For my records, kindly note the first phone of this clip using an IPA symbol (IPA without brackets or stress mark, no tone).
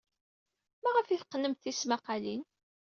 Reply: m